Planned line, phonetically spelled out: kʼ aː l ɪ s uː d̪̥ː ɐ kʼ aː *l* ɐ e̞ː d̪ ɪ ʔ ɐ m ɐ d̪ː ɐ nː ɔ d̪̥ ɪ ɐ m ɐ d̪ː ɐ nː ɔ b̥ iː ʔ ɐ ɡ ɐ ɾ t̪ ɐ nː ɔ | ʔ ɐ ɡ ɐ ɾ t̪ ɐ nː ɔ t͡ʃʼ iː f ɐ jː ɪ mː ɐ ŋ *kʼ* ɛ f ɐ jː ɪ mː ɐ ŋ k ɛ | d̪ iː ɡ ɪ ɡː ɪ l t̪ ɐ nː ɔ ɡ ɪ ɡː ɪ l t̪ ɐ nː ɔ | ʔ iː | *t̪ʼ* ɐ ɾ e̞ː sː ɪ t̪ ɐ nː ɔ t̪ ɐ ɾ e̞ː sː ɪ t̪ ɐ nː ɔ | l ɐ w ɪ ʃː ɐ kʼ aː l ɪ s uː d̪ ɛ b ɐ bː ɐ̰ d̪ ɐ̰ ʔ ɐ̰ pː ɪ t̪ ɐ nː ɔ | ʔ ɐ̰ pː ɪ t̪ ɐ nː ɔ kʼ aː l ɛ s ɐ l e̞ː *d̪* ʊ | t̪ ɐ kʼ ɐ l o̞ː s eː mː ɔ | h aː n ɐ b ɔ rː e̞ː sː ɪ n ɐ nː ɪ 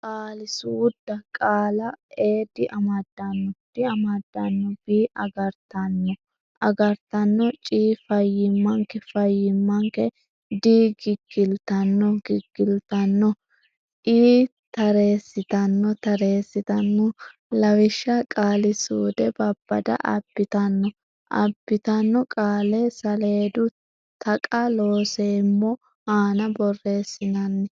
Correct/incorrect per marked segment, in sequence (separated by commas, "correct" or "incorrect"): correct, incorrect, incorrect, correct